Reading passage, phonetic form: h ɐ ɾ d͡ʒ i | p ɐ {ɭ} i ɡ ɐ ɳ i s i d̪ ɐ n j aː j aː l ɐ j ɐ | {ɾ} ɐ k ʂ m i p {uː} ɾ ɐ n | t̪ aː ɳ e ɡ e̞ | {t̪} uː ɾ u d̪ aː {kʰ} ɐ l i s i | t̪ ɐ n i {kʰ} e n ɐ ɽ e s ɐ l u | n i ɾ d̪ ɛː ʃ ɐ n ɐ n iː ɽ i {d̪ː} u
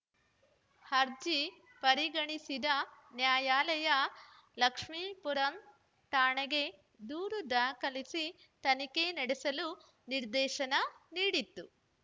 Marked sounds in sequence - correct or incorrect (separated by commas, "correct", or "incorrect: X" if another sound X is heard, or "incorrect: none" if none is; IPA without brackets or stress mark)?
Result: incorrect: ɾ, incorrect: l, incorrect: u, incorrect: d̪, incorrect: k, incorrect: k, incorrect: t̪ː